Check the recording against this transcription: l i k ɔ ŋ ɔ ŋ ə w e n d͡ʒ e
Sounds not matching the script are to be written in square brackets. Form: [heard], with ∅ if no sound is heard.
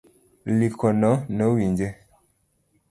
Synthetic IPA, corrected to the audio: l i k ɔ [n] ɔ [n] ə w [i] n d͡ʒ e